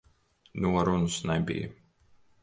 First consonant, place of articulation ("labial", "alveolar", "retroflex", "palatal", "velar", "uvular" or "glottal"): alveolar